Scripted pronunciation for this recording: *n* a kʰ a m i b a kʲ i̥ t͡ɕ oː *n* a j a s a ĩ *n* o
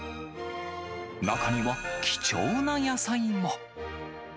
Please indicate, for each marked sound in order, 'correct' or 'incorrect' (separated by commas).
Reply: correct, correct, incorrect